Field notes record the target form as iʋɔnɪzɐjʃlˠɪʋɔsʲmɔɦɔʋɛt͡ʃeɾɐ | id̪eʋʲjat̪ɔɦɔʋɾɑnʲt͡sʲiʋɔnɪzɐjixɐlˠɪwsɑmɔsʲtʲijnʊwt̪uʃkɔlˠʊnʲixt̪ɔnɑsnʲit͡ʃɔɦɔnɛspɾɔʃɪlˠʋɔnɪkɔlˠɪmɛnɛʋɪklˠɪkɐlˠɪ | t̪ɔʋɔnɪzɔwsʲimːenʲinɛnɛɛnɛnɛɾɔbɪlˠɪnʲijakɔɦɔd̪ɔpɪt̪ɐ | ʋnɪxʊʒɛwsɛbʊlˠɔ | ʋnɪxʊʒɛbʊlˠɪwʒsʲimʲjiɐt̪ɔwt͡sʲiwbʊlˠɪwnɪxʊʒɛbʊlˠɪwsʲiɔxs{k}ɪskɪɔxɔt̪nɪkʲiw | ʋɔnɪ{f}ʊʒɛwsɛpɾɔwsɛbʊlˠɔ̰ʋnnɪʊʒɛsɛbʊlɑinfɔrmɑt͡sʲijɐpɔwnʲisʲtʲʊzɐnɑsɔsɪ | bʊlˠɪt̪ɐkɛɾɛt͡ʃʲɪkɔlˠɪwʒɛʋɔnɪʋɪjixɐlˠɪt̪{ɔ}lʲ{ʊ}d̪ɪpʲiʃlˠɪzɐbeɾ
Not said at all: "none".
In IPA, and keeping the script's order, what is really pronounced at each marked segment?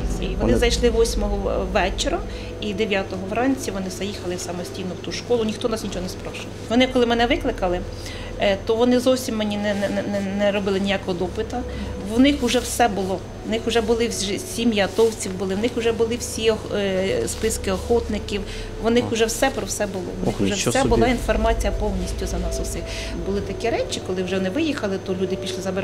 p, x, ɔ, u

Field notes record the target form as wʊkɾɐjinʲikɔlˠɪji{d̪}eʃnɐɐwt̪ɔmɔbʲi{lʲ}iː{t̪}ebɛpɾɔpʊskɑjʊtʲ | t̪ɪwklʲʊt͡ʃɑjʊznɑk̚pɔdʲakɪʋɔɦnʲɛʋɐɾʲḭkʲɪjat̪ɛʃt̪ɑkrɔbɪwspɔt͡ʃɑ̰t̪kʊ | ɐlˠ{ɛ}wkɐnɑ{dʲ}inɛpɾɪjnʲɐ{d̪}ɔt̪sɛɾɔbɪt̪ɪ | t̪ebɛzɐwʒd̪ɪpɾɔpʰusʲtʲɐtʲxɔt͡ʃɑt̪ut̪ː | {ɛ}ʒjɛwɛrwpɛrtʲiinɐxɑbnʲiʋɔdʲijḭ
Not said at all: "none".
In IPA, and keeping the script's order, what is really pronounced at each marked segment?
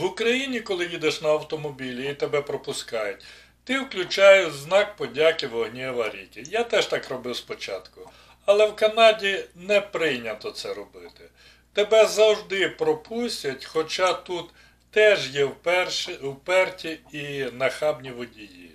d̪, lʲ, t̪, ɛ, dʲ, t̪, ɛ

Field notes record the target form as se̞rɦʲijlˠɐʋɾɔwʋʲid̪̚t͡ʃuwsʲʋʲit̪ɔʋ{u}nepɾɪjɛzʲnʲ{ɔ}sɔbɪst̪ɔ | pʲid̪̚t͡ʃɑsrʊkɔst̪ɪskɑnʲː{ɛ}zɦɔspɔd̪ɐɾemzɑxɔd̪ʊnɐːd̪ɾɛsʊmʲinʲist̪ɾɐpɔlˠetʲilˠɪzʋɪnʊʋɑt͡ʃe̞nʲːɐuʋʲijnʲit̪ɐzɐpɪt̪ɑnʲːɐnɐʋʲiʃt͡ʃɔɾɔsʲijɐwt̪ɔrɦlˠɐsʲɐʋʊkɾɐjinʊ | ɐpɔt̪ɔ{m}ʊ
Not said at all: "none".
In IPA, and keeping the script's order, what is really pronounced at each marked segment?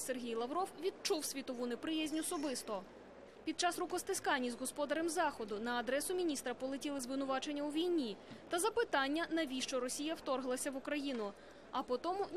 u, ɔ, i, m

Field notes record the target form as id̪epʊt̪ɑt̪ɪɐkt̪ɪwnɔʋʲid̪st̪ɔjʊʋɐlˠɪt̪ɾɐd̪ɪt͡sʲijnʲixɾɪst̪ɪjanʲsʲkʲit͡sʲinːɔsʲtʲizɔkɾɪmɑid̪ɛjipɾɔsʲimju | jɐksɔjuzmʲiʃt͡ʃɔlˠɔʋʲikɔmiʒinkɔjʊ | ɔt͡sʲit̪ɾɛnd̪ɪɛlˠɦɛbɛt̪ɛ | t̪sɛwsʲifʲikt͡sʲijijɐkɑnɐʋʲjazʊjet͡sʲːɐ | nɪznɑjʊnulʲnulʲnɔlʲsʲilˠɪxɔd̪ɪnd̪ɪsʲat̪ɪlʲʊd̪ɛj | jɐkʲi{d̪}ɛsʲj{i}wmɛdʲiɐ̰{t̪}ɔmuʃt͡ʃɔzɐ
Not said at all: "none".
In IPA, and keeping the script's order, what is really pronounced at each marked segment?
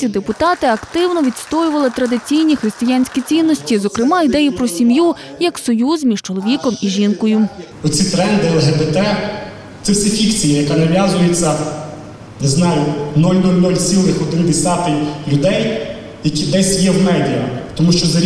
d̪, ɛ, t̪

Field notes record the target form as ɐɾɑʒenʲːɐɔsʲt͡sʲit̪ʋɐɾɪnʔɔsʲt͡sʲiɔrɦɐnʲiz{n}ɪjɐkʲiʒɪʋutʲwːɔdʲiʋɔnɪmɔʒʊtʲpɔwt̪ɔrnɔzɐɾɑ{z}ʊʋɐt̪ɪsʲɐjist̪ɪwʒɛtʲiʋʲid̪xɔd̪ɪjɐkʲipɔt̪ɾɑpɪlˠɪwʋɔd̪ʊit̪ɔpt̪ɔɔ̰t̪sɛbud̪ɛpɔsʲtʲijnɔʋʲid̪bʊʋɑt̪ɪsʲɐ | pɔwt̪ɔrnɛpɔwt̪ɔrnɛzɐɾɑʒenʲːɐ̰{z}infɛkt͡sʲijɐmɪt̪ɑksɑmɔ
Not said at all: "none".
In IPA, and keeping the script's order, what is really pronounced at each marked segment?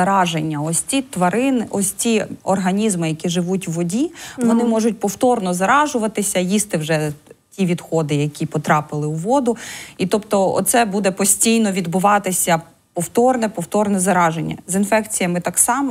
m, ʒ, z

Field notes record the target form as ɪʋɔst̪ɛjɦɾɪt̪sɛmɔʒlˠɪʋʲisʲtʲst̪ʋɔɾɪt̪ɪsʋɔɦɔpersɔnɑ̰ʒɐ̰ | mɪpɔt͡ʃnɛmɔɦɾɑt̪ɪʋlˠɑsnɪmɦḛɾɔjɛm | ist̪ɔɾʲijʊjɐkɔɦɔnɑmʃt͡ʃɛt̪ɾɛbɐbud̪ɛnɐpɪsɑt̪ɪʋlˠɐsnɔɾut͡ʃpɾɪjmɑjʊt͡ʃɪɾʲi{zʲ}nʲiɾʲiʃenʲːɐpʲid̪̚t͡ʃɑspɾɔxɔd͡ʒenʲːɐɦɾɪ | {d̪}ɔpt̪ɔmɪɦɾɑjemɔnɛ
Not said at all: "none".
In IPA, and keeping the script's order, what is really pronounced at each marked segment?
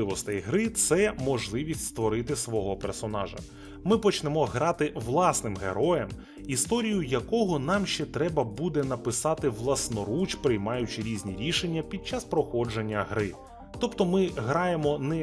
zʲ, t̪

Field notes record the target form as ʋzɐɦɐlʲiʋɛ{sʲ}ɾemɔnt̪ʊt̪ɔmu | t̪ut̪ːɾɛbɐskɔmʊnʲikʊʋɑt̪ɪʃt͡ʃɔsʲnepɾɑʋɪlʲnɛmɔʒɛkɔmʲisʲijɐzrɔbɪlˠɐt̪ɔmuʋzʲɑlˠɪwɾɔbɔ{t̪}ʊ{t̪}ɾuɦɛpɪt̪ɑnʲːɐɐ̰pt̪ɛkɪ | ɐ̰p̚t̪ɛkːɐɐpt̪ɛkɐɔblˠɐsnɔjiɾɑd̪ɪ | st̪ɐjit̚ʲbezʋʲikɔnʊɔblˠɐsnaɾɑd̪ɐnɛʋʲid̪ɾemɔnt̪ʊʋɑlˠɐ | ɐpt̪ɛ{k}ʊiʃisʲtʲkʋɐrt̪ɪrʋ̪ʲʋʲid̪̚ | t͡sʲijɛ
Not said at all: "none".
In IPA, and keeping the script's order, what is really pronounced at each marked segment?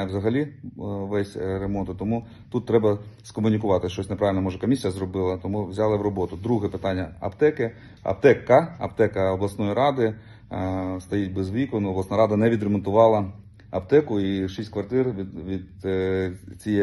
sʲ, t̪, d̪, k

